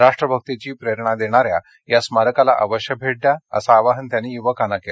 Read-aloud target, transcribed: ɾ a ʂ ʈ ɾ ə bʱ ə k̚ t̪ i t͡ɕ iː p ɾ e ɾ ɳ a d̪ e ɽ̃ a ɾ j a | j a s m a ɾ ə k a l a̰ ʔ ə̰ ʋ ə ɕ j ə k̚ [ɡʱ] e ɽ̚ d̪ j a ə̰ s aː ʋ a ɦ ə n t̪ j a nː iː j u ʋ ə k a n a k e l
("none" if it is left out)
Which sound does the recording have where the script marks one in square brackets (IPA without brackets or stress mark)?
bʱ